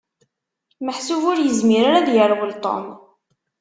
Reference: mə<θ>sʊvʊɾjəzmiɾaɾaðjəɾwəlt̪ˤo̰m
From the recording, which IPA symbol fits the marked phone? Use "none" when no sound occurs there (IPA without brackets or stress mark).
ħ